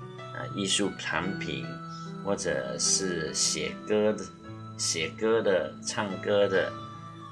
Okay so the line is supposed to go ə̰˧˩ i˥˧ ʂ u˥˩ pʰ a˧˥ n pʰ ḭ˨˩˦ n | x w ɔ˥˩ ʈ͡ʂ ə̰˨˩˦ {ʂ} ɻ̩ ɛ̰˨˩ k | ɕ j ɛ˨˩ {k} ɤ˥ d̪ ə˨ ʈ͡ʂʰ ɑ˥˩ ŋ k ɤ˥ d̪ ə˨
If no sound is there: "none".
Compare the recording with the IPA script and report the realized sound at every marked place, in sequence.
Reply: ʂ, k

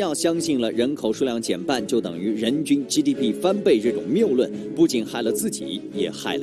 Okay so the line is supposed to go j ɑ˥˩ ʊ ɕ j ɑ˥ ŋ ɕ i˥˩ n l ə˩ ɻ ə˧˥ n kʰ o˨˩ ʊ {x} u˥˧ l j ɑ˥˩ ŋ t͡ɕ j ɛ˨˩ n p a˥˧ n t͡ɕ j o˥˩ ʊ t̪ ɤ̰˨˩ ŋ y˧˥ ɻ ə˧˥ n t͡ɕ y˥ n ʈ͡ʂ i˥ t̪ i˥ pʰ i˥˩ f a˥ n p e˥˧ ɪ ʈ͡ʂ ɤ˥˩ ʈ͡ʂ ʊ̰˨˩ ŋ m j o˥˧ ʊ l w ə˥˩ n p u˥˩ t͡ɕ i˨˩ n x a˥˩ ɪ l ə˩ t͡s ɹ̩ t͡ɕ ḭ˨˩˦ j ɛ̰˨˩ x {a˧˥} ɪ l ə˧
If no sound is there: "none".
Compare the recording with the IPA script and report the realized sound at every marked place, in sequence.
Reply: ʂ, a˥˩

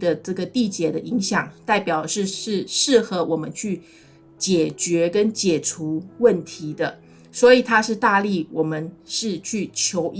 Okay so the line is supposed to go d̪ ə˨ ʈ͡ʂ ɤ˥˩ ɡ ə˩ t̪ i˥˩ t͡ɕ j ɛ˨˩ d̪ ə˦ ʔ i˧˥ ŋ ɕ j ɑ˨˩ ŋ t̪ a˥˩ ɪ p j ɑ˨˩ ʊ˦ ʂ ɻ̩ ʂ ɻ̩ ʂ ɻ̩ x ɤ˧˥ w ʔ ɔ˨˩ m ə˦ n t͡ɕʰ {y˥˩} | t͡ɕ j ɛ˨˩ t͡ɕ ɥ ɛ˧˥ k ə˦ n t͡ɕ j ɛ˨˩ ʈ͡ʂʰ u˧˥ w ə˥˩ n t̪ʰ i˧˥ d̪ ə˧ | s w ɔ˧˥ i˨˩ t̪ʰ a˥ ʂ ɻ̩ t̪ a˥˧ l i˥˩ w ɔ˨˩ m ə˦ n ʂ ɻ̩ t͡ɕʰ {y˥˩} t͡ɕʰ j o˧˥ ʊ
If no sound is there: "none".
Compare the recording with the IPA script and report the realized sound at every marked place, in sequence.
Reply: y˥˩, y˥˩

